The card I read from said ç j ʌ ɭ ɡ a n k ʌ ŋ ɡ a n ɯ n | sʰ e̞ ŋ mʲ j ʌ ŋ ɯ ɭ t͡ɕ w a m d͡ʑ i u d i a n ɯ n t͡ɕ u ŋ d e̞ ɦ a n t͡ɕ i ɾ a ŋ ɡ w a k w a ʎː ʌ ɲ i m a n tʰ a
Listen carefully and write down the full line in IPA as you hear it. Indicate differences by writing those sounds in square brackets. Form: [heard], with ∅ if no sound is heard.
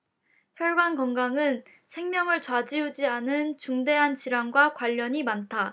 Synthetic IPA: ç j ʌ ɭ ɡ a n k ʌ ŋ ɡ a [ŋ] ɯ n | sʰ e̞ ŋ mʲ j ʌ ŋ ɯ ɭ t͡ɕ w a [∅] d͡ʑ i u [d͡ʑ] i a n ɯ n t͡ɕ u ŋ d e̞ ɦ a n t͡ɕ i ɾ a ŋ ɡ w a k w a ʎː ʌ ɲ i m a n tʰ a